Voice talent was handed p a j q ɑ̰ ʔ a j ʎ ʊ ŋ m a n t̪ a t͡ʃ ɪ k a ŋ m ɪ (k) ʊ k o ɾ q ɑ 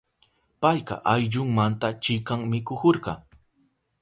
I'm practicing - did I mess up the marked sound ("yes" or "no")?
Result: no